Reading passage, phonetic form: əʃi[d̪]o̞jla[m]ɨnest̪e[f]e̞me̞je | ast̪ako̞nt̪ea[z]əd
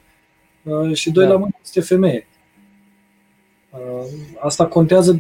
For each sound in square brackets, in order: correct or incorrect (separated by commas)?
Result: correct, correct, correct, correct